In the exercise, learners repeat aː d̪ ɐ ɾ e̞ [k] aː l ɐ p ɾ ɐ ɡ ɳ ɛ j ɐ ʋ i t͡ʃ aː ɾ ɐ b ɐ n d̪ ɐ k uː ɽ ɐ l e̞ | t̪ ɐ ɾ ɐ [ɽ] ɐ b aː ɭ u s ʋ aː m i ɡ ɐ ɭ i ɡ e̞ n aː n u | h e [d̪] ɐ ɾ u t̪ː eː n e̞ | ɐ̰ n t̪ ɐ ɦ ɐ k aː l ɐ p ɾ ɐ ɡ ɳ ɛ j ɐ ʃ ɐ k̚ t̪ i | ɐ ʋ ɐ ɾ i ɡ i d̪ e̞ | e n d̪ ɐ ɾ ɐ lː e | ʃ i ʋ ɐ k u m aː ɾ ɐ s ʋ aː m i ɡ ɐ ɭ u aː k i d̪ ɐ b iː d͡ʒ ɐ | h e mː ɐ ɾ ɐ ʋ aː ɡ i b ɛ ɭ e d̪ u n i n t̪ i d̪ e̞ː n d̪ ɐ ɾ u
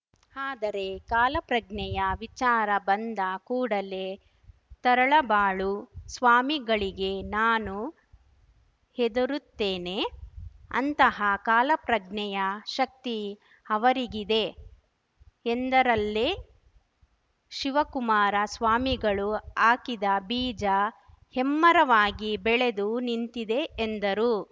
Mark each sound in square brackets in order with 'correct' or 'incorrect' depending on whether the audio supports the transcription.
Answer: correct, incorrect: ɭ, correct

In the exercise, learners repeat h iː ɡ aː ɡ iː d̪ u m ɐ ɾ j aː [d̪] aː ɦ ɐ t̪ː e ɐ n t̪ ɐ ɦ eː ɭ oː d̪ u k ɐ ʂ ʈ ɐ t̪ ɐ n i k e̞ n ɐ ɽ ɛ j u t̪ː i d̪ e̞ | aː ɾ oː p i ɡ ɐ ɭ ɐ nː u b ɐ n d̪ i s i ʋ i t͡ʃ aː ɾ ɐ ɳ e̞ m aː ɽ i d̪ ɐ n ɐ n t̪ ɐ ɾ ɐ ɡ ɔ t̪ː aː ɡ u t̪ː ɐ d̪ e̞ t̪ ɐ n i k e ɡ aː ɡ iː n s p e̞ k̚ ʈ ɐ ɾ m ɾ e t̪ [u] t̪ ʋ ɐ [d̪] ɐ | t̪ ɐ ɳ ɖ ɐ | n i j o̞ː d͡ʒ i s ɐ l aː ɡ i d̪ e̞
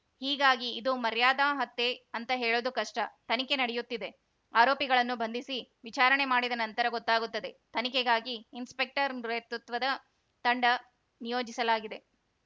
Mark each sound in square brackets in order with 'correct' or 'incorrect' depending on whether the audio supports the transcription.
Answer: correct, correct, correct

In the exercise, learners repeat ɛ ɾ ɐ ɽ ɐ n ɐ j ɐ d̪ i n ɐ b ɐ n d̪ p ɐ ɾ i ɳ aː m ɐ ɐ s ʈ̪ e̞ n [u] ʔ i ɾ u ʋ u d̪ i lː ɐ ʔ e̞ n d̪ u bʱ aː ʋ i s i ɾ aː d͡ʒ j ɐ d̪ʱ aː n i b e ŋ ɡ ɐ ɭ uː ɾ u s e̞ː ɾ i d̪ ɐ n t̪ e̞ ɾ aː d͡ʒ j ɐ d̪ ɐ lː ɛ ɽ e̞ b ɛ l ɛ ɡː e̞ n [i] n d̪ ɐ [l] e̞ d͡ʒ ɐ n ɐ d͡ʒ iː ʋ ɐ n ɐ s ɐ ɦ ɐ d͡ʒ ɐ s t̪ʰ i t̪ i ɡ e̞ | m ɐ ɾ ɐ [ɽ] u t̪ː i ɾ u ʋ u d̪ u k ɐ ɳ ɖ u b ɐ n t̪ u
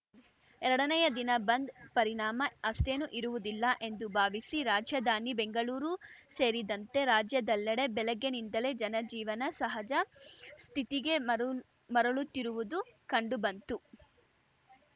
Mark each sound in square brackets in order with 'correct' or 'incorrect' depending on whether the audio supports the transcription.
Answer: correct, correct, correct, incorrect: ɭ

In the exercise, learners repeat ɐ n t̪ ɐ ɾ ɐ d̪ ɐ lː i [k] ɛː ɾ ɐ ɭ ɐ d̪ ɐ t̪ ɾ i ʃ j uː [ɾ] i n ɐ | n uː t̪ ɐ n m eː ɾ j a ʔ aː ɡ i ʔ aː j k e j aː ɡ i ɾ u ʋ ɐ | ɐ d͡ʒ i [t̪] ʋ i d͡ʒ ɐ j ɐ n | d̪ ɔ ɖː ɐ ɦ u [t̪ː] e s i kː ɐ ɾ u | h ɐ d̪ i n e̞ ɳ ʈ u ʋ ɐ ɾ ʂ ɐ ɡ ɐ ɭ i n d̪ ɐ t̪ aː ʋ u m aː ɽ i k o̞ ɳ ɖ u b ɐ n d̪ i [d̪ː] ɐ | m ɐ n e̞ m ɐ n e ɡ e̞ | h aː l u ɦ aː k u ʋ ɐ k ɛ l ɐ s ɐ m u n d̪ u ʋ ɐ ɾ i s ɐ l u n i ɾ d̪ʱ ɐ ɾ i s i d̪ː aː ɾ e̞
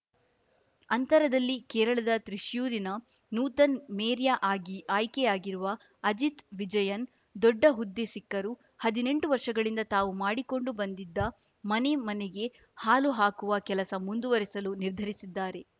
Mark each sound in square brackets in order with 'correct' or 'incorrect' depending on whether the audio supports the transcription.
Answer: correct, correct, correct, incorrect: d̪ː, correct

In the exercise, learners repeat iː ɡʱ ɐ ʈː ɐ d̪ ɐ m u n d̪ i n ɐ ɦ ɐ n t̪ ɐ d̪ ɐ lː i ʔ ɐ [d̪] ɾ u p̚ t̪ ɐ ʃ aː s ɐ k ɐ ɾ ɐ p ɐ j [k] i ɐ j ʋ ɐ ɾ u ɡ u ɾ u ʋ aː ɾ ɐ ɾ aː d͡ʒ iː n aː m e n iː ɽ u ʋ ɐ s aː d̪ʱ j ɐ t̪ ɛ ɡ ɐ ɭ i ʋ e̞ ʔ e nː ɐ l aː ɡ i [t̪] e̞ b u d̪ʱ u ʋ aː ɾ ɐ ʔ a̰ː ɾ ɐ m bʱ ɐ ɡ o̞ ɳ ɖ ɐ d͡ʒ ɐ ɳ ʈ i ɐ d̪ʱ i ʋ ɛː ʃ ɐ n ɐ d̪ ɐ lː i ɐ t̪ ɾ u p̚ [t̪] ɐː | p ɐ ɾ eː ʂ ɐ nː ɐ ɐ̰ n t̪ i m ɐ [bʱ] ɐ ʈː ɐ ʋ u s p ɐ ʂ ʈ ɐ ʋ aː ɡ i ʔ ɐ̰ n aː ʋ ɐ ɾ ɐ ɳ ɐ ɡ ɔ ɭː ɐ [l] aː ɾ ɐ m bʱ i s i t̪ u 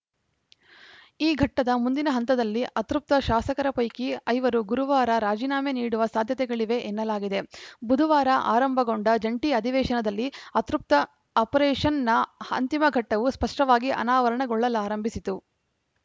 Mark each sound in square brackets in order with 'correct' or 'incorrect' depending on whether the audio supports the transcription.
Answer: incorrect: t̪, correct, incorrect: d̪, correct, incorrect: ɡʱ, correct

